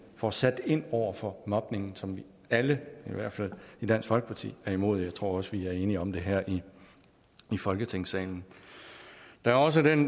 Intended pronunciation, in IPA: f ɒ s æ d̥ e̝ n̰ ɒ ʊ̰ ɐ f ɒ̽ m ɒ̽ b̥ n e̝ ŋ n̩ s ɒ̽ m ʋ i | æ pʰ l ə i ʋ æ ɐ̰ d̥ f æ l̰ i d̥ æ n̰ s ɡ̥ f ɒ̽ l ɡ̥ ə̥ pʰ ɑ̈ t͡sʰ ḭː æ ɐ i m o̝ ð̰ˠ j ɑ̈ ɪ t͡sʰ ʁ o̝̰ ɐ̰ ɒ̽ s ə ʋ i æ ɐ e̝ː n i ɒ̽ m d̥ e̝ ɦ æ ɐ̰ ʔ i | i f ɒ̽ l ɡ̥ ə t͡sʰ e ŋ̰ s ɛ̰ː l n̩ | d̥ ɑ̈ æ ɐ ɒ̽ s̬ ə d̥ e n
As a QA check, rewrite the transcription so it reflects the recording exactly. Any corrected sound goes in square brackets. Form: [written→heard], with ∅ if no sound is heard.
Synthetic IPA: f ɒ s æ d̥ e̝ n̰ ɒ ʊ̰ ɐ f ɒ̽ m ɒ̽ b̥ n e̝ ŋ n̩ s ɒ̽ m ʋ i | æ [pʰ→∅] l ə i ʋ æ ɐ̰ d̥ f æ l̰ i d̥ æ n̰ s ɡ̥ f ɒ̽ l ɡ̥ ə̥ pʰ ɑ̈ t͡sʰ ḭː æ ɐ i m o̝ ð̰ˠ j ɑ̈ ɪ t͡sʰ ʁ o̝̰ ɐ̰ ɒ̽ s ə ʋ i æ ɐ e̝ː n i ɒ̽ m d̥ e̝ ɦ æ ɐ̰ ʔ i | i f ɒ̽ l ɡ̥ ə t͡sʰ e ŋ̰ s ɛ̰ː l n̩ | d̥ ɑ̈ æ ɐ ɒ̽ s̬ ə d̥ e n